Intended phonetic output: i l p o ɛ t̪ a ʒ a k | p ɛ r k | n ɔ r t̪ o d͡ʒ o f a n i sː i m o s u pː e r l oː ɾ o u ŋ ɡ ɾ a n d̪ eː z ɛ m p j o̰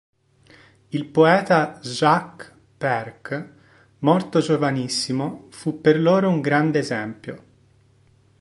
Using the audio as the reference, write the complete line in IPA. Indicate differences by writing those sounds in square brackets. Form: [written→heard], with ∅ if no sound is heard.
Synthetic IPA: i l p o [ɛ→ɛː] t̪ a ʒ a k | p ɛ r k | [n→m] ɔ r t̪ o d͡ʒ o [f→v] a n i sː i m o [s→f] u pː e r l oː ɾ o u ŋ ɡ ɾ a n d̪ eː z ɛ m p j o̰